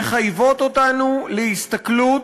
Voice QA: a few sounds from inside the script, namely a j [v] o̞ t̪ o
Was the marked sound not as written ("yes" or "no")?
no